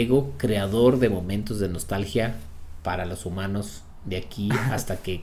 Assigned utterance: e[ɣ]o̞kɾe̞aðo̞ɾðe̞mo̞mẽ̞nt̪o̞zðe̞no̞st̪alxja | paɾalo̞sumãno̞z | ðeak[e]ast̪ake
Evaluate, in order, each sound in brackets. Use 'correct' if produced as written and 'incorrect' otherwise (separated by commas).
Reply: correct, incorrect